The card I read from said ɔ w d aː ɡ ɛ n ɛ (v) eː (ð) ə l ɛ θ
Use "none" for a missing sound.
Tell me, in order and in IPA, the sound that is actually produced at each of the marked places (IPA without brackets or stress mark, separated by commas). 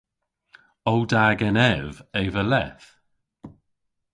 v, v